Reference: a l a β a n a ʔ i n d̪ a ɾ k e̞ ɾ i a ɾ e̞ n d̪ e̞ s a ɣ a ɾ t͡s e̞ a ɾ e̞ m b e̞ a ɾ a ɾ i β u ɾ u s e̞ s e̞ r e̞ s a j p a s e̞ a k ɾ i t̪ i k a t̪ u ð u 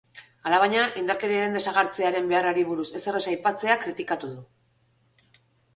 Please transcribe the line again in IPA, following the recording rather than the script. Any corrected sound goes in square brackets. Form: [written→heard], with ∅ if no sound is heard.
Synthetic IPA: a l a β a [n→ɲ] a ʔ i n d̪ a ɾ k e̞ ɾ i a ɾ e̞ n d̪ e̞ s a ɣ a ɾ t͡s e̞ a ɾ e̞ m b e̞ a [ɾ→r] a ɾ i β u ɾ u s e̞ s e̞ r e̞ s a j p a [s→t͡s] e̞ a k ɾ i t̪ i k a t̪ u ð u